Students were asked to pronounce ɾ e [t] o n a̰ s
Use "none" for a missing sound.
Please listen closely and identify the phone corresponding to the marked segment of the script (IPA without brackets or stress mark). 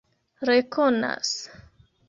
k